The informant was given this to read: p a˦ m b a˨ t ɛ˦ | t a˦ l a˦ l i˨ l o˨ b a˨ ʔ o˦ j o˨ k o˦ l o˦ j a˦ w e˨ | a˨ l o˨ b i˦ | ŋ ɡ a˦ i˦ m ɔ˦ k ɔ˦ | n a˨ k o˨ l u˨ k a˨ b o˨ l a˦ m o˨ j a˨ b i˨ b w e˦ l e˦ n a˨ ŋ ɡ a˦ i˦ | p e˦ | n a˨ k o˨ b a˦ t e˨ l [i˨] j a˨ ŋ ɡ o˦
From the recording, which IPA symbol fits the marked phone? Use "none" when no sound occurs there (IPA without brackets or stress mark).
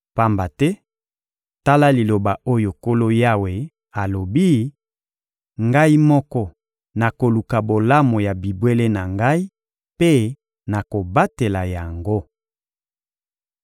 a˨